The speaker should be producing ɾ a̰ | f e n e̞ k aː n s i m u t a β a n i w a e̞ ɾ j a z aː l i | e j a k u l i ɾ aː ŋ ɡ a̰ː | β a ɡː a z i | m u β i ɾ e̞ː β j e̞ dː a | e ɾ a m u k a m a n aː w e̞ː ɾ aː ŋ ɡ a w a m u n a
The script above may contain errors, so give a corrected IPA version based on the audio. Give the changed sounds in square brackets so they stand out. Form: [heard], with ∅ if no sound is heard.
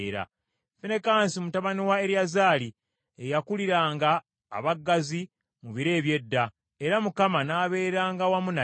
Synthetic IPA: ɾ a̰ | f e n e̞ k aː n s i m u t a β a n i w a e̞ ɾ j a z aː l i | e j a k u l i ɾ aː ŋ ɡ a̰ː | β a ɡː a z i | m u β i ɾ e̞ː β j e̞ dː a | e ɾ a m u k a m a n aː [β] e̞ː ɾ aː ŋ ɡ a w a m u n a